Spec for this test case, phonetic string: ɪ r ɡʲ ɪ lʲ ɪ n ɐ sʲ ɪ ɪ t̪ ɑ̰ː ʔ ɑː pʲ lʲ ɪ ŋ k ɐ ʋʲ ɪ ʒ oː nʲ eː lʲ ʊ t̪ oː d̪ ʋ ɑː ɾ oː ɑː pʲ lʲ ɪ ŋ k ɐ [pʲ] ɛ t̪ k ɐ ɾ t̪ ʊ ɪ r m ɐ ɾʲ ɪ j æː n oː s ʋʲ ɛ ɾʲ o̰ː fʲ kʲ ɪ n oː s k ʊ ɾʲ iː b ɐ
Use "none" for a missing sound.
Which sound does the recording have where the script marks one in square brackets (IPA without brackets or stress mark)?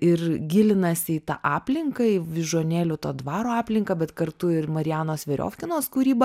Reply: bʲ